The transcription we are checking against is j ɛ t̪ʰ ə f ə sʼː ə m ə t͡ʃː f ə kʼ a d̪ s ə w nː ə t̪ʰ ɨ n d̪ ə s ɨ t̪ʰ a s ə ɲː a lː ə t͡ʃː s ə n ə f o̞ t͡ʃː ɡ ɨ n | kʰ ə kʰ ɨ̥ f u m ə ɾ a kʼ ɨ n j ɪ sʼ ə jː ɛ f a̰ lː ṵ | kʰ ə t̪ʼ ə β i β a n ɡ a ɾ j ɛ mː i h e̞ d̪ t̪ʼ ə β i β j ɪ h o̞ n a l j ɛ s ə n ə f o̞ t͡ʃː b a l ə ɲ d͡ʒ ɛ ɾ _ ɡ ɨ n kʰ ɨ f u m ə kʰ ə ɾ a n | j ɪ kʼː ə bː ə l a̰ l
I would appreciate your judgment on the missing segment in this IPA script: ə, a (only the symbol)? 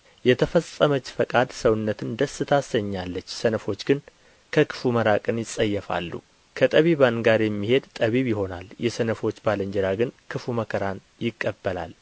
a